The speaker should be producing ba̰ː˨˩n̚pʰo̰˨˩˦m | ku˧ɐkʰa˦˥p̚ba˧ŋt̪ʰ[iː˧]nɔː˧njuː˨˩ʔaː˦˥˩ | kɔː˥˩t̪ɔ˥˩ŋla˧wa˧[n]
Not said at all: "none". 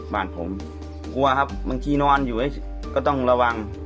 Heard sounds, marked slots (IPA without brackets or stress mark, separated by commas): iː˧, ŋ